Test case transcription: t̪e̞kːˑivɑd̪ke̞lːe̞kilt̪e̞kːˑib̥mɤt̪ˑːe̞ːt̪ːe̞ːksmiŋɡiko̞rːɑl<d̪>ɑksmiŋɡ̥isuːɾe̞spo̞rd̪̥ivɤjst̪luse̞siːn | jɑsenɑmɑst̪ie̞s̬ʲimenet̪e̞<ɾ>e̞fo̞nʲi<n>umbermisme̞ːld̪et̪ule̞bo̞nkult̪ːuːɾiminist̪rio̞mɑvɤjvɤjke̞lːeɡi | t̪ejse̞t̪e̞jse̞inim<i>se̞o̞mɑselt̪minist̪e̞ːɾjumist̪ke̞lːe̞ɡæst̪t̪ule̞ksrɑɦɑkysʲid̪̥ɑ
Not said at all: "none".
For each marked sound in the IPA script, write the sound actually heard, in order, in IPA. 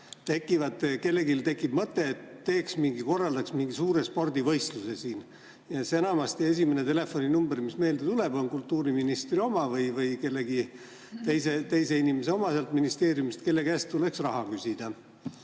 d̪, l, n, e

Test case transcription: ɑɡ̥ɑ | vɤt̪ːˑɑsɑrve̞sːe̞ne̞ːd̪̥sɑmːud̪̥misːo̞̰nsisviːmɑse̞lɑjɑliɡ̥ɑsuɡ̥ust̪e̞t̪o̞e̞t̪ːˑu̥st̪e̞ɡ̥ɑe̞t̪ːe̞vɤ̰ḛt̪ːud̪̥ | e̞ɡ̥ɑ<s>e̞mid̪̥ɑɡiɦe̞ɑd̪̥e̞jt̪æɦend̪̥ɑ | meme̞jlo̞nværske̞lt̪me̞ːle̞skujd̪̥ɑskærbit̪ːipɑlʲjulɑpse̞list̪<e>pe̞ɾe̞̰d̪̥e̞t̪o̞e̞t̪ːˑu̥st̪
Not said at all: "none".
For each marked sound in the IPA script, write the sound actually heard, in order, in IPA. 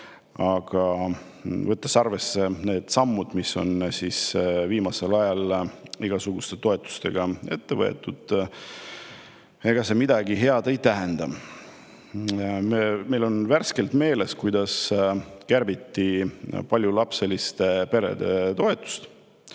s, e

